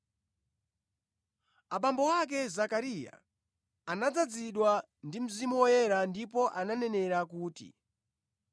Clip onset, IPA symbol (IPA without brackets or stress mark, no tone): a